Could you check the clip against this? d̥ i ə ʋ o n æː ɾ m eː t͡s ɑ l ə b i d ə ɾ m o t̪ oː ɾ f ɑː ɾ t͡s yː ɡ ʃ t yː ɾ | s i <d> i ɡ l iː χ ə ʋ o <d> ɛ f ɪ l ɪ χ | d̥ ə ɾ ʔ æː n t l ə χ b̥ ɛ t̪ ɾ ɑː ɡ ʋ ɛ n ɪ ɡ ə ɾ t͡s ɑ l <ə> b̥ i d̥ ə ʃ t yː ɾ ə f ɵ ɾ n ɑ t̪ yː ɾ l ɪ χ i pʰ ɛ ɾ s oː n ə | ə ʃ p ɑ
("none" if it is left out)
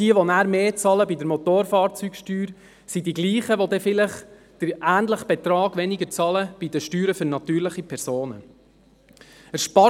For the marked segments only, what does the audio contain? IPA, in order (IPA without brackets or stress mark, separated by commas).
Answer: d, d, ə